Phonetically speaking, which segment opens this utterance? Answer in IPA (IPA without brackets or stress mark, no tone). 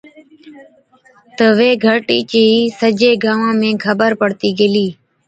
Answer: t̪